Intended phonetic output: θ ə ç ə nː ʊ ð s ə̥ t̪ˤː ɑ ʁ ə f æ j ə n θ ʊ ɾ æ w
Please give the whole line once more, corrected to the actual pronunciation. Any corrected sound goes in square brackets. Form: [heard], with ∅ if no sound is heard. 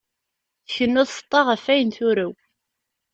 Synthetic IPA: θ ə ç ə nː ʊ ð s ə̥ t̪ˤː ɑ ʁ ə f æ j ə n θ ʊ ɾ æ w